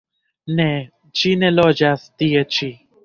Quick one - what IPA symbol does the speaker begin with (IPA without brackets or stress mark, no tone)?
n